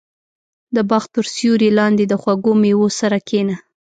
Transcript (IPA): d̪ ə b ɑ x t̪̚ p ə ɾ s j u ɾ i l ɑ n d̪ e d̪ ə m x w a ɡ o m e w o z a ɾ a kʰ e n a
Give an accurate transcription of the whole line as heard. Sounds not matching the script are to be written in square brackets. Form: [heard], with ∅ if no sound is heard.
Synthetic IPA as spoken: d̪ ə b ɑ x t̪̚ p ə ɾ s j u ɾ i l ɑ n d̪ e d̪ ə [∅] x w a ɡ o m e w o [s] a ɾ a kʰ e n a